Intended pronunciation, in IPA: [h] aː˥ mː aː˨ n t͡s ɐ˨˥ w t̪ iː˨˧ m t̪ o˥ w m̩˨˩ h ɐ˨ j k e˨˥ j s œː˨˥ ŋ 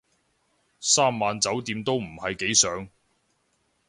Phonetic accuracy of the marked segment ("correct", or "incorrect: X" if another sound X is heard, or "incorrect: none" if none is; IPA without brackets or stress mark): incorrect: s